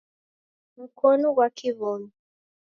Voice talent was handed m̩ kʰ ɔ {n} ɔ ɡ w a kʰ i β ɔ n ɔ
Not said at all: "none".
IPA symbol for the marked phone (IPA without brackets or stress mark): n